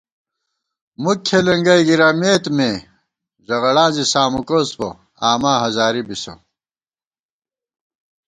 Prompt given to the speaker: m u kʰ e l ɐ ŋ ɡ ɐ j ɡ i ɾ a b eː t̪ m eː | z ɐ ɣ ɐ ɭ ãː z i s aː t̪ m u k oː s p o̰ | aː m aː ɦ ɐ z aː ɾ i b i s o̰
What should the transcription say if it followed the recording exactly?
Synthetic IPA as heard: m u kʰ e l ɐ ŋ ɡ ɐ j ɡ i ɾ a m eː t̪ m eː | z ɐ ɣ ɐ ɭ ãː z i s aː m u k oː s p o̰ | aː m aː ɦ ɐ z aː ɾ i b i s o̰